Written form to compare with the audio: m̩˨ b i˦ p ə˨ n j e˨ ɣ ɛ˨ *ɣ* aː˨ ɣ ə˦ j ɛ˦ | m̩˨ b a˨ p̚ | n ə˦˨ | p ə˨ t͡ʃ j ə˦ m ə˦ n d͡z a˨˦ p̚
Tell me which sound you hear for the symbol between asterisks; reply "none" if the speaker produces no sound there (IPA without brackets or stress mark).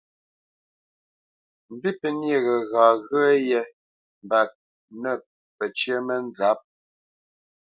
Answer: ɣ